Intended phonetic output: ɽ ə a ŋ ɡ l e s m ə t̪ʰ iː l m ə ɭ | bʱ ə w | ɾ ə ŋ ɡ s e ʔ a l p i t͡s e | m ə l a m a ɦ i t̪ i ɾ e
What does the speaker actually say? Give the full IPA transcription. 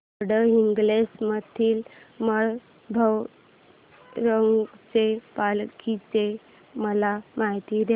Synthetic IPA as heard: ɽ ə i ŋ ɡ l e s m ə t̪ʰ iː l m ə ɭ | bʱ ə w | ɾ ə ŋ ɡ t͡s e p a l k i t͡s e | m ə l a m a ɦ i t̪ i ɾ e